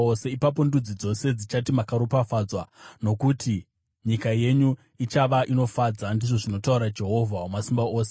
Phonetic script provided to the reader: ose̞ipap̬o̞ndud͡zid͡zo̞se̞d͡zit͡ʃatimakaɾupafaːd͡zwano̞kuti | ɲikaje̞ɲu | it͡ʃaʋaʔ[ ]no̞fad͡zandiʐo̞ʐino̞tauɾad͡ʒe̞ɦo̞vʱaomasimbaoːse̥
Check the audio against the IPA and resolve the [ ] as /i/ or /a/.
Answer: i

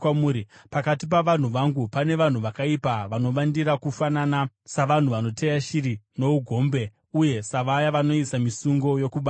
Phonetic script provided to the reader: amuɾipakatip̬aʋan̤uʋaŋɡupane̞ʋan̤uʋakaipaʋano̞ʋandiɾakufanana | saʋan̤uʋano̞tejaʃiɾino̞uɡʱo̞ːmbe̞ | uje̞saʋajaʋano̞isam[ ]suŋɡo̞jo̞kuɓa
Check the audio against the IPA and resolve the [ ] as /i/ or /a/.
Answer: i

